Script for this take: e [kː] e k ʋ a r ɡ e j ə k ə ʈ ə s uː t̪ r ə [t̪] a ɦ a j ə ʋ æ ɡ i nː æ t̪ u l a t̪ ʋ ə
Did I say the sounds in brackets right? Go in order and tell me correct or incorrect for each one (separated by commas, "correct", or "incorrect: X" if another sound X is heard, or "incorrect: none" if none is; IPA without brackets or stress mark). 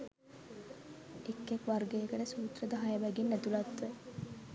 correct, incorrect: d̪